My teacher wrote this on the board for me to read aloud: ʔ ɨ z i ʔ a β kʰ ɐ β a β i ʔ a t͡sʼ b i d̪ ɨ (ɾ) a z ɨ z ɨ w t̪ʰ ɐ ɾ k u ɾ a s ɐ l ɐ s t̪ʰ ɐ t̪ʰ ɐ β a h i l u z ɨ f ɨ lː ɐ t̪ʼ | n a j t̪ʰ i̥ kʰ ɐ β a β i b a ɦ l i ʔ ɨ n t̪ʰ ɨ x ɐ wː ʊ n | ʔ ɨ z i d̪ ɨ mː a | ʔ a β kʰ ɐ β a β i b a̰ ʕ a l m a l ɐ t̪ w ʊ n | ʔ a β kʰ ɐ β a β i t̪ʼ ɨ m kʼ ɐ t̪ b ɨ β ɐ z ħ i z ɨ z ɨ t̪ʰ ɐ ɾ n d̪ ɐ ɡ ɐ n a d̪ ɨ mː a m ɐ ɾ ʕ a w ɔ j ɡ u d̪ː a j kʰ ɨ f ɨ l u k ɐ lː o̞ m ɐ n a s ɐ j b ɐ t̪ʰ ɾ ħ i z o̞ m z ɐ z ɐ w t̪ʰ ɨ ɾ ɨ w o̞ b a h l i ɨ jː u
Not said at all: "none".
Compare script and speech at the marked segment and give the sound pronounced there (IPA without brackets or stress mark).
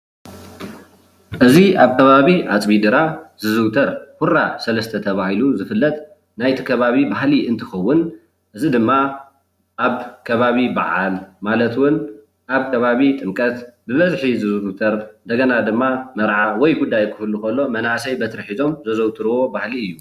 ɾ